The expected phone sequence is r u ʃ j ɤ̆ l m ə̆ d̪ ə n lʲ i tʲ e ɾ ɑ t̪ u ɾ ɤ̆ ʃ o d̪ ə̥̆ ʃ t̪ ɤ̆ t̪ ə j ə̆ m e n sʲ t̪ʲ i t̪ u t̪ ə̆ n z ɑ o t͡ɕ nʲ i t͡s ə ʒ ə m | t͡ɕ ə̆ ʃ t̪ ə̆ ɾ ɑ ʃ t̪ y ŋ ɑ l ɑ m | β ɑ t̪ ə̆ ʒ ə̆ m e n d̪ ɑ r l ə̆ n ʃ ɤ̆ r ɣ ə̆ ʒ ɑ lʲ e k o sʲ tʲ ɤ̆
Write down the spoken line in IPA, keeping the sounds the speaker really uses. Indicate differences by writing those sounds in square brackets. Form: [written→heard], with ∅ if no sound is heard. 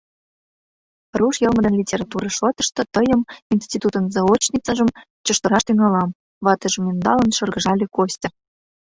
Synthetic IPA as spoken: r u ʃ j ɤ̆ l m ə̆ d̪ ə n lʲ i tʲ e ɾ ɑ t̪ u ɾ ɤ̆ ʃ o [d̪→t̪] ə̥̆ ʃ t̪ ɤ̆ t̪ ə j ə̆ m [e→i] n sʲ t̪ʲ i t̪ u t̪ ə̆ n z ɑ o t͡ɕ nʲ i t͡s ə ʒ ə m | t͡ɕ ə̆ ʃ t̪ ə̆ ɾ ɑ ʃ t̪ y ŋ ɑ l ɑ m | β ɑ t̪ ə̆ ʒ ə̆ m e n d̪ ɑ [r→∅] l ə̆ n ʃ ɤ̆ r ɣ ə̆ ʒ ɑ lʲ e k o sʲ tʲ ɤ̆